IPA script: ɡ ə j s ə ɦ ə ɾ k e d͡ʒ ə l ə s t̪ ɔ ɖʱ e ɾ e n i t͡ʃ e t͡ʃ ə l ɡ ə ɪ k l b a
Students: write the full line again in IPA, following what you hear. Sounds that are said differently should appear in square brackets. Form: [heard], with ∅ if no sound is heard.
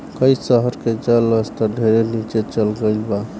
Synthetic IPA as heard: [k] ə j s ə ɦ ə ɾ k e d͡ʒ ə l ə s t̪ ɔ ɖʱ e ɾ e n i t͡ʃ e t͡ʃ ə l ɡ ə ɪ [∅] l b a